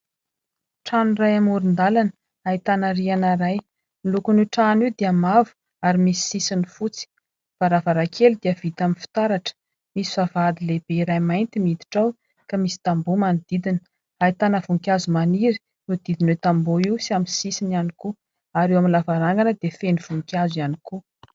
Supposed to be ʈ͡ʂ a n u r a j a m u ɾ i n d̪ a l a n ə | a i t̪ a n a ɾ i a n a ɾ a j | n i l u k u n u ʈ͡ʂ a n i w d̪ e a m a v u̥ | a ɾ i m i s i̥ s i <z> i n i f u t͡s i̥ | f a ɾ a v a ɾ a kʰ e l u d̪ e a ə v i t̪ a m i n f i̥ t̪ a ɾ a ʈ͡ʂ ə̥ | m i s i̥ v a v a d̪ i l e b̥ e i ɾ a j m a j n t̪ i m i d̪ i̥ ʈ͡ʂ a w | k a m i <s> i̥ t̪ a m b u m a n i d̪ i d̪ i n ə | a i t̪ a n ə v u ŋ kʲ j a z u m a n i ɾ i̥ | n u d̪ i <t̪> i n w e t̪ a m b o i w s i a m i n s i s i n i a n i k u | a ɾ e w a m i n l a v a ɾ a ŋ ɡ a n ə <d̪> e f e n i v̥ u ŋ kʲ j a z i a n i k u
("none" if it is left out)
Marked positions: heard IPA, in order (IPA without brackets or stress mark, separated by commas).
s, s, d̪, d̪